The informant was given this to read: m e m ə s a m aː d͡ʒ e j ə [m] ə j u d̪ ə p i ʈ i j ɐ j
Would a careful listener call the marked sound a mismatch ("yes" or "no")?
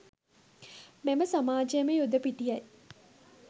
no